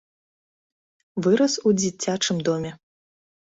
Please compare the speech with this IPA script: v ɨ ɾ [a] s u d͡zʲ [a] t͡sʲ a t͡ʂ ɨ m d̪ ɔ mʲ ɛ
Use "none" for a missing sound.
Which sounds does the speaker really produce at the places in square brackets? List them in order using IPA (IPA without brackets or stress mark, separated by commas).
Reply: ɐ, i